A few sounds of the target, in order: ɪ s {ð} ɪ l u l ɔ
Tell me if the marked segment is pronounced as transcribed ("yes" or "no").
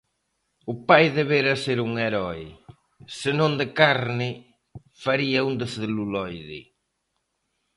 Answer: yes